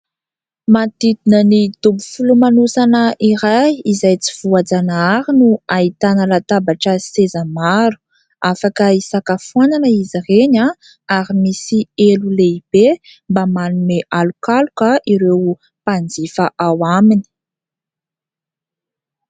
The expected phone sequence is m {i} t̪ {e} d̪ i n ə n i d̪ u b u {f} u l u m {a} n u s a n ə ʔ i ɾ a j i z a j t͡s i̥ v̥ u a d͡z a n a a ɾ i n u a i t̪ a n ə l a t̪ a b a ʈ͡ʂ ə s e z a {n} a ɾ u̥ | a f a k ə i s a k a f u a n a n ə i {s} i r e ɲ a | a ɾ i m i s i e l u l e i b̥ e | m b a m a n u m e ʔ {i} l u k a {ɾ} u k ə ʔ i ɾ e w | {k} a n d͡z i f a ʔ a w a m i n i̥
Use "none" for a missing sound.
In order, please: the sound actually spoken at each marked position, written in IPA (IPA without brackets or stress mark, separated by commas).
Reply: a, i, f, a, m, z, a, l, p